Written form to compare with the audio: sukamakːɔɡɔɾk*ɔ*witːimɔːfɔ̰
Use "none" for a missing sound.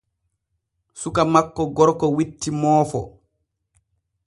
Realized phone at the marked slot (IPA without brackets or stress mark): ɔ